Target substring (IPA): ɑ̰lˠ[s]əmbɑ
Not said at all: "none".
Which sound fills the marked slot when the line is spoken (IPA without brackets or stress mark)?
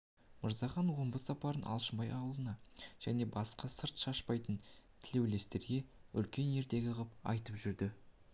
ʃ